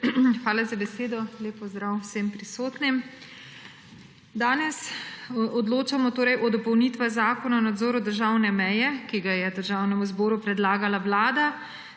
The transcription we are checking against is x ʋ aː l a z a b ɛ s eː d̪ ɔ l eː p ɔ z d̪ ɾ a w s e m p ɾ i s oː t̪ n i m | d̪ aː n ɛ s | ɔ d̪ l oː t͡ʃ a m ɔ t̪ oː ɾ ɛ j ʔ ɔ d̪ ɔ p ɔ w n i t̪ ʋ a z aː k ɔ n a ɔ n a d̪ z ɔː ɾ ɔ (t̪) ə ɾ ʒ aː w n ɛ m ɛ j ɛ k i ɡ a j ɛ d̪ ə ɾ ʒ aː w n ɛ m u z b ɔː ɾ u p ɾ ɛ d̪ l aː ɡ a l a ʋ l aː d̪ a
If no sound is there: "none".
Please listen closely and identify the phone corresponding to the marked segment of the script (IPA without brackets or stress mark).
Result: d̪